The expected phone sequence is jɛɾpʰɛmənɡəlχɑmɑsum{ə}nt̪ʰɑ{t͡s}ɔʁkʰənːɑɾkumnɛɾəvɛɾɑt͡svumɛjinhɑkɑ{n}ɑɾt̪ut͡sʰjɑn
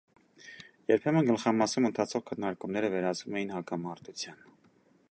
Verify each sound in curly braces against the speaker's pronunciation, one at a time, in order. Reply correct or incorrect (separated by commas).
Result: correct, incorrect, incorrect